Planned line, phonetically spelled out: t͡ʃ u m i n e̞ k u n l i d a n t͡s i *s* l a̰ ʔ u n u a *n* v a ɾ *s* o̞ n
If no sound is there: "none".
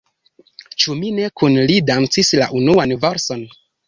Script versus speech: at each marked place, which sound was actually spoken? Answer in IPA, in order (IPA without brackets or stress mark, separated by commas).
s, n, s